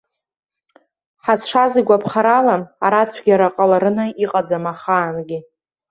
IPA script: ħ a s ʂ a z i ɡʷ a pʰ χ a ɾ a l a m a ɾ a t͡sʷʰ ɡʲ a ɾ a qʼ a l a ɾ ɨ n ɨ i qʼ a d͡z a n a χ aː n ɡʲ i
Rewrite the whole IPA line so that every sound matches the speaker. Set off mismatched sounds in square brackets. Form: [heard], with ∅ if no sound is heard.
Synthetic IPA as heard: ħ a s ʂ a z i ɡʷ a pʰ χ a ɾ a l a m a ɾ a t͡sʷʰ ɡʲ a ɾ a qʼ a l a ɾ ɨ n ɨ i qʼ a d͡z a [m] a χ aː n ɡʲ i